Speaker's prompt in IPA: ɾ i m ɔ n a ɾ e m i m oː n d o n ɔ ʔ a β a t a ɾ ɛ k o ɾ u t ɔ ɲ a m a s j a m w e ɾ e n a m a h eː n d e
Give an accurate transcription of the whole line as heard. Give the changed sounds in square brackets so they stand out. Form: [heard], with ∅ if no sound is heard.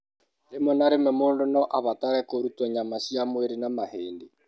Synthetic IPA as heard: ɾ [e] m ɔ n a ɾ e m [ɛ] m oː n d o n ɔ ʔ a β a t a ɾ ɛ k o ɾ u t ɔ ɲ a m a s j a m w e ɾ e n a m a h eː n d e